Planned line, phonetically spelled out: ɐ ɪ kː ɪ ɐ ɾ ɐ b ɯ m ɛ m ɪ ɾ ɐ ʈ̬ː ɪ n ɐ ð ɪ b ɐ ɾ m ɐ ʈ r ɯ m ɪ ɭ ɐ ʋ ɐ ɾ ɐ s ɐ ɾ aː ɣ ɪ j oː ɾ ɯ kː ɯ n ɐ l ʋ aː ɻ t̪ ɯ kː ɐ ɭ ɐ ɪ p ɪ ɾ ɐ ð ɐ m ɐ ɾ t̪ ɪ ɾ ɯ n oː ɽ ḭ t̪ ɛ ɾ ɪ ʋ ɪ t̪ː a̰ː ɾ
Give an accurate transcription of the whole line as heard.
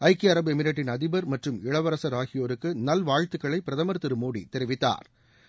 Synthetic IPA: ɐ ɪ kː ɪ ɐ ɾ ɐ b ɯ ɛ m ɪ ɾ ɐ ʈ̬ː ɪ n ɐ ð ɪ b ɐ ɾ m ɐ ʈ r ɯ m ɪ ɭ ɐ ʋ ɐ ɾ ɐ s ɐ ɾ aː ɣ ɪ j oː ɾ ɯ kː ɯ n ɐ l ʋ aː ɻ t̪ ɯ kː ɐ ɭ ɐ ɪ p ɪ ɾ ɐ ð ɐ m ɐ ɾ t̪ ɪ ɾ ɯ m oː ɽ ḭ t̪ ɛ ɾ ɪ ʋ ɪ t̪ː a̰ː ɾ